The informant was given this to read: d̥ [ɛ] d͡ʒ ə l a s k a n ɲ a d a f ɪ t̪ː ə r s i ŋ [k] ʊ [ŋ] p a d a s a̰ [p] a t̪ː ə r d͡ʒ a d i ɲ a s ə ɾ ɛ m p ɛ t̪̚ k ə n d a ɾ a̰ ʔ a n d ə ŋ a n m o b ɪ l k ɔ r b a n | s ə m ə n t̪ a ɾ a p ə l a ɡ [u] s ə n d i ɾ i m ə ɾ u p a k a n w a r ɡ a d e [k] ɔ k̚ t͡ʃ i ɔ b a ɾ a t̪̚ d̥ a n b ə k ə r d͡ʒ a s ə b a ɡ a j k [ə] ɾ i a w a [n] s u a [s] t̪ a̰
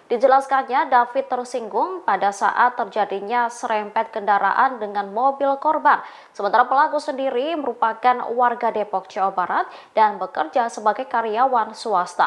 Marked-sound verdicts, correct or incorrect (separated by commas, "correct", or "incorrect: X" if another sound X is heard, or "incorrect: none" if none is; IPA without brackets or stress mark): incorrect: i, incorrect: ɡ, correct, incorrect: ʔ, correct, incorrect: p, incorrect: a, correct, correct